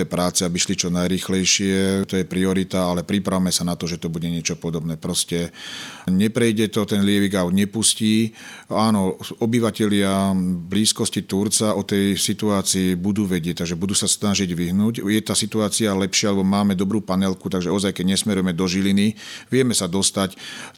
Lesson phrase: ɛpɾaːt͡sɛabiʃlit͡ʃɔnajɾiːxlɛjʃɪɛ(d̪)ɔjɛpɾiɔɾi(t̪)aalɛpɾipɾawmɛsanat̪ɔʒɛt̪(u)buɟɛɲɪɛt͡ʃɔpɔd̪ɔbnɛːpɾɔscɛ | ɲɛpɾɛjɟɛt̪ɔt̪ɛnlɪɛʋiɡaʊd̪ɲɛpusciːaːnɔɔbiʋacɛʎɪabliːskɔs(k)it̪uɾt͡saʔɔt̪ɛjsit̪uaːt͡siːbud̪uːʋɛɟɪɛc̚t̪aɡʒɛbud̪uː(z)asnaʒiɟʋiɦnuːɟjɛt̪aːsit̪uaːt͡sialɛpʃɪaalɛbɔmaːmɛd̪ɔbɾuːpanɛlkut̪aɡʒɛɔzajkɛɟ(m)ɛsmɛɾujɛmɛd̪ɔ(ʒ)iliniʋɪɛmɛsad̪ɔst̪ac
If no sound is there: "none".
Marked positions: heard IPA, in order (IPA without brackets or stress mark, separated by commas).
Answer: t̪, t̪, ɔ, c, s, ɲ, ʒ